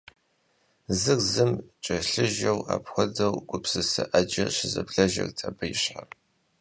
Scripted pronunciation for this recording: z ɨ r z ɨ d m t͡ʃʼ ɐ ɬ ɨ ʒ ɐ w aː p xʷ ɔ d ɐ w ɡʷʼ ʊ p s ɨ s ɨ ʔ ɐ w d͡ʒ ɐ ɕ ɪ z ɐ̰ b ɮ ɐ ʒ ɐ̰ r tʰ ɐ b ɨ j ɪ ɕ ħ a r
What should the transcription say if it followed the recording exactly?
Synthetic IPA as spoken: z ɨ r z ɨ m t͡ʃʼ ɐ ɬ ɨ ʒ ɐ w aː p xʷ ɔ d ɐ w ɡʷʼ ʊ p s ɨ s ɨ ʔ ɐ d͡ʒ ɐ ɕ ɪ z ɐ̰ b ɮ ɐ ʒ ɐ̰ r tʰ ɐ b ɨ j ɪ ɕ ħ a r